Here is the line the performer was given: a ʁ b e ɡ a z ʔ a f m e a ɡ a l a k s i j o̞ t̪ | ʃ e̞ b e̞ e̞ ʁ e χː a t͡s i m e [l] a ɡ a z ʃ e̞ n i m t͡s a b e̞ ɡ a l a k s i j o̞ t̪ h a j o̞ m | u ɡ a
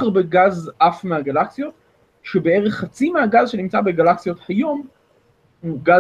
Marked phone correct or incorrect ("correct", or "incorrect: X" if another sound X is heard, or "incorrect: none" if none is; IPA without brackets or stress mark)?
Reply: incorrect: none